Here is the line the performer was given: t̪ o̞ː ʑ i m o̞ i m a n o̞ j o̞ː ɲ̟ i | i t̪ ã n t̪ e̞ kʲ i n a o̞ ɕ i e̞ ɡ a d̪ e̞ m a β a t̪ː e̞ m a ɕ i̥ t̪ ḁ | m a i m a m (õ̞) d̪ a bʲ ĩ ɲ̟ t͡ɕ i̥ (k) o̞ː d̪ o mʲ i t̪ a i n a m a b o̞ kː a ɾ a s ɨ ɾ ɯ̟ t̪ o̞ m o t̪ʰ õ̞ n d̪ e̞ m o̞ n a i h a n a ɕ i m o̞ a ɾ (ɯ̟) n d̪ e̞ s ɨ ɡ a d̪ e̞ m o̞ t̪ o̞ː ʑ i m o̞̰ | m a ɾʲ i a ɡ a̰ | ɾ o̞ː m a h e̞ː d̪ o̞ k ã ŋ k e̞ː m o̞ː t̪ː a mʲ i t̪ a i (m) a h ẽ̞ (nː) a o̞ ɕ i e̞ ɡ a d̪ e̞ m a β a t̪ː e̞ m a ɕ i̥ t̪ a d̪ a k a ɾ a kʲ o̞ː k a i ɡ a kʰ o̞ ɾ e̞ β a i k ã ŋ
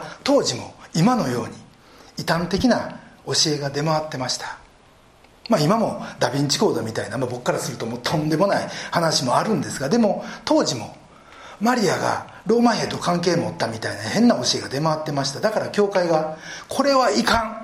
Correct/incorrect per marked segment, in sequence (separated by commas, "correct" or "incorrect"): incorrect, correct, incorrect, incorrect, correct